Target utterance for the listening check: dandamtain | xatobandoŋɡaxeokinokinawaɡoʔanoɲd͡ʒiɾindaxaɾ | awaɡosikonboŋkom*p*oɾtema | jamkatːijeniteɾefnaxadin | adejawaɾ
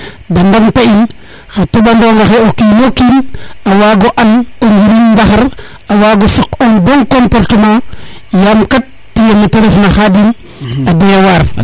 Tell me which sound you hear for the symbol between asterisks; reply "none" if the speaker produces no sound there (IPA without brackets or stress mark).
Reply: p